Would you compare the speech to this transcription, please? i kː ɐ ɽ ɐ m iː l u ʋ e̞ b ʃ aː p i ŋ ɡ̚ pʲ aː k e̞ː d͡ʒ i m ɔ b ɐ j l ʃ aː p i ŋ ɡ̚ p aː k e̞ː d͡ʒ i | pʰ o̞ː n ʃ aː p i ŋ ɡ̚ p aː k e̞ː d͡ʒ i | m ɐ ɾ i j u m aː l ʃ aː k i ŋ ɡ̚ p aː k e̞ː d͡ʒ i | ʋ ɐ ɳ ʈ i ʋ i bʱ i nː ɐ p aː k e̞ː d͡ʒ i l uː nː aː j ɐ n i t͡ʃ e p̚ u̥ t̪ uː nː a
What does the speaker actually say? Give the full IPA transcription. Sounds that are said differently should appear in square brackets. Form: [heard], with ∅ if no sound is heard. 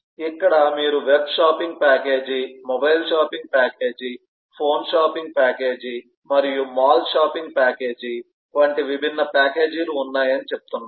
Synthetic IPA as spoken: i kː ɐ ɽ ɐ m iː [ɾ] u ʋ e̞ b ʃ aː p i ŋ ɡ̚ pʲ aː k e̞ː d͡ʒ i m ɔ b ɐ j l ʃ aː p i ŋ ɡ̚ p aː k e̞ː d͡ʒ i | pʰ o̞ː n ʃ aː p i ŋ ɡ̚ p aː k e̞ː d͡ʒ i | m ɐ ɾ i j u m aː l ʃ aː [p] i ŋ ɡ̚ p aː k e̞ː d͡ʒ i | ʋ ɐ ɳ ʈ i ʋ i bʱ i nː ɐ p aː k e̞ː d͡ʒ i l uː nː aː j ɐ n i t͡ʃ e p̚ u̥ t̪ [u] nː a